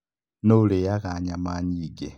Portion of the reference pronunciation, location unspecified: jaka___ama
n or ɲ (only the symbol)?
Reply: ɲ